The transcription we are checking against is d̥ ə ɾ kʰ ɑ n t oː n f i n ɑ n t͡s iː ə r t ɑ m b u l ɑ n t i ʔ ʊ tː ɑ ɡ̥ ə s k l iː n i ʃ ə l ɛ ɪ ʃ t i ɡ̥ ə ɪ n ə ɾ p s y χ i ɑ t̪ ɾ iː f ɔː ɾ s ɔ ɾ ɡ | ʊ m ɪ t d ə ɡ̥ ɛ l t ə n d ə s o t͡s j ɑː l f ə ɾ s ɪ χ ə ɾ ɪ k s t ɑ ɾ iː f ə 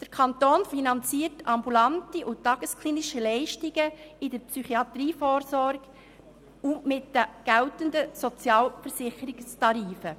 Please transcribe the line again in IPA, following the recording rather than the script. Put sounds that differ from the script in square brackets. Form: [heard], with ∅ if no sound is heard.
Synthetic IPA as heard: d̥ ə ɾ kʰ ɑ n t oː n f i n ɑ n t͡s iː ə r t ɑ m b u l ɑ n t i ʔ ʊ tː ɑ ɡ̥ ə s k l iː n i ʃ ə l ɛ ɪ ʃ t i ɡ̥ ə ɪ [d] ə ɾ p s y χ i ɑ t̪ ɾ iː f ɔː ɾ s ɔ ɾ ɡ | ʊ m ɪ t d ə ɡ̥ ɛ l t ə n d ə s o t͡s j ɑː l f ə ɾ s ɪ χ ə ɾ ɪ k s t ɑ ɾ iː f ə